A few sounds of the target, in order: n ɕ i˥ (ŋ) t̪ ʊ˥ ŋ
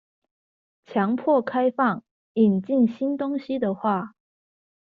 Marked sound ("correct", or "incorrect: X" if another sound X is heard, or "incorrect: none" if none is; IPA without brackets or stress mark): incorrect: n